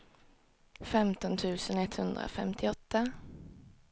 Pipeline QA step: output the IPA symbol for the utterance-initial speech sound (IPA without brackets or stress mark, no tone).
f